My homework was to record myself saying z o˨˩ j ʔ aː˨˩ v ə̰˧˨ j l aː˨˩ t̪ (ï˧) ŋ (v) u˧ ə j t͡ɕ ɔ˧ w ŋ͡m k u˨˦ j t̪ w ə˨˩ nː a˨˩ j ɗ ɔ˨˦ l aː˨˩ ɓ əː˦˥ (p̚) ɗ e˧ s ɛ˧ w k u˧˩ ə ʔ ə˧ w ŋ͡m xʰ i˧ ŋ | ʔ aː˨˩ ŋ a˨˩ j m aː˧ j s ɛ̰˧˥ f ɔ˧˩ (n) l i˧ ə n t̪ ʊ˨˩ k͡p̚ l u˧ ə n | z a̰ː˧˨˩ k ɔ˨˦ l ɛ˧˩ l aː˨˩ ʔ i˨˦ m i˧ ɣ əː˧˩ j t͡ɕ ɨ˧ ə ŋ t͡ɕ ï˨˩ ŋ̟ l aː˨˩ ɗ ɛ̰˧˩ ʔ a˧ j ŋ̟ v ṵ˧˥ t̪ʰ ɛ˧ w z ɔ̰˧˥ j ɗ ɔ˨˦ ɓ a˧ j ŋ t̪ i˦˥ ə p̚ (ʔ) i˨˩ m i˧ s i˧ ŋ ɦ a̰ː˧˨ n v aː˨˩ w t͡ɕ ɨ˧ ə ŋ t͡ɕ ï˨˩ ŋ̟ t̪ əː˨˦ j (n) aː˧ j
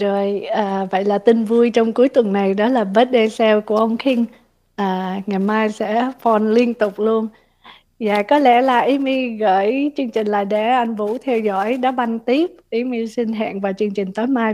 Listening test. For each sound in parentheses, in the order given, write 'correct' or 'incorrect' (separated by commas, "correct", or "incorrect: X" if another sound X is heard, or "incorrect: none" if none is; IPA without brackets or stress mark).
correct, correct, incorrect: t̚, correct, correct, incorrect: m